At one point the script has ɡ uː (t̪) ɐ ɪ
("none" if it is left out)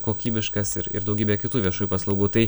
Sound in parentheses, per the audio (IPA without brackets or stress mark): t̪